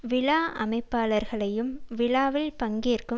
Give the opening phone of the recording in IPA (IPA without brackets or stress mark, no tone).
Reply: ʋ